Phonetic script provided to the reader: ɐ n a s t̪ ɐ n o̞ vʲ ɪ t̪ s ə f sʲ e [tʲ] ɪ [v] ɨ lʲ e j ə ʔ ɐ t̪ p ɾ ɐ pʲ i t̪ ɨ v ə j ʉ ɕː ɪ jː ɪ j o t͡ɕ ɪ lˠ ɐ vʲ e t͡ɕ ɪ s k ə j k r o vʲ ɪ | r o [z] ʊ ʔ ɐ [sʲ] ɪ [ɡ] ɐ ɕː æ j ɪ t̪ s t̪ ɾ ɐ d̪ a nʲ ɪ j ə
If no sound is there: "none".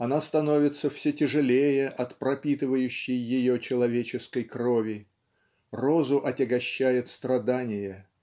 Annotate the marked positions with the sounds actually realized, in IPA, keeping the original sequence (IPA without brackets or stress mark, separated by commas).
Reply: tʲ, ʐ, z, tʲ, ɡ